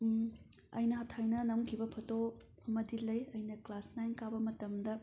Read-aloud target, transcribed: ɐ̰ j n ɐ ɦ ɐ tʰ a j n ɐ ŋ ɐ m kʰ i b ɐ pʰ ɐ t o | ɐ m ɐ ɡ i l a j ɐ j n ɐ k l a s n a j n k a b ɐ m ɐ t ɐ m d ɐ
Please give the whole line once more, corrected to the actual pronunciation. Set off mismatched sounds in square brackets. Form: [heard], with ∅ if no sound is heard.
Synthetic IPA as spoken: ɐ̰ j n ɐ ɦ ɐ tʰ a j n ɐ [n] ɐ m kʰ i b ɐ pʰ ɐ t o | ɐ m ɐ [d] i l [ɐ] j ɐ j n ɐ k l a s n a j n k a b ɐ m ɐ t ɐ m d ɐ